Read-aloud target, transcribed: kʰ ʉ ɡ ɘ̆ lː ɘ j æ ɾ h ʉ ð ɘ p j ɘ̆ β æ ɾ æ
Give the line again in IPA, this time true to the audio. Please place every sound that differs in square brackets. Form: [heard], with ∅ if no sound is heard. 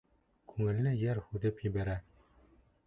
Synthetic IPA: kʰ ʉ [ŋ] ɘ̆ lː ɘ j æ ɾ h ʉ ð ɘ p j ɘ̆ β æ ɾ æ